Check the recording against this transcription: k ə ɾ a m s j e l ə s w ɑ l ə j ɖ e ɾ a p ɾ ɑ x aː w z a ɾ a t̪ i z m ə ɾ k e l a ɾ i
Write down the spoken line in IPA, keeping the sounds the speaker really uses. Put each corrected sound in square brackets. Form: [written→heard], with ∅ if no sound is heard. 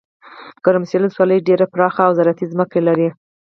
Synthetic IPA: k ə ɾ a m s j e l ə s w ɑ l ə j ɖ e ɾ a p ɾ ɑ x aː w z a ɾ a t̪ i z m ə [ɾ→∅] k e l a ɾ i

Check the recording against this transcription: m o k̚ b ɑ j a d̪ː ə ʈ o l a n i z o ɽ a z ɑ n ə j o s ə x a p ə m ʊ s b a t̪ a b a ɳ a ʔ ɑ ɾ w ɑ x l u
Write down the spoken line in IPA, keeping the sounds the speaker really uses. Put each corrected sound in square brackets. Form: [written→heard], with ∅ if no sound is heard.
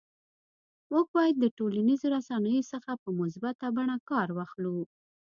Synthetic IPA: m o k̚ b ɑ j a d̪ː ə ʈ o l a n i z o [ɽ→ɾ] a [z→s] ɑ n ə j o s ə x a p ə m ʊ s b a t̪ a b a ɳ a [ʔ→k] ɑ ɾ w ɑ x l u

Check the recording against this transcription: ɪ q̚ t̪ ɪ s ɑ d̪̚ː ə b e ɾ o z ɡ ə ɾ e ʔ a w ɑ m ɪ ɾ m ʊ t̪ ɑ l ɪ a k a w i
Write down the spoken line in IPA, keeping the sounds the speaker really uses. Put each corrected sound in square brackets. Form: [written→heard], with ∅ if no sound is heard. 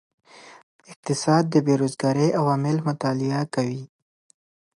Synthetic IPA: ɪ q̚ t̪ ɪ s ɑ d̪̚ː ə b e ɾ o z ɡ [ə→ɑ] ɾ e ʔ a w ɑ m ɪ [ɾ→l] m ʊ t̪ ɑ l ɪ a k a w i

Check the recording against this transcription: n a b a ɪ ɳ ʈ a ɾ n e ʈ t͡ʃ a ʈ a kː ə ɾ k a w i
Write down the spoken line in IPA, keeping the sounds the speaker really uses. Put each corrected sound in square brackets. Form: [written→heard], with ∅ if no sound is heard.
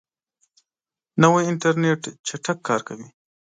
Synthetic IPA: n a [b→w] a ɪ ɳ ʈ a ɾ n e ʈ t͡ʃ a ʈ a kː [ə→ɑ] ɾ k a w i

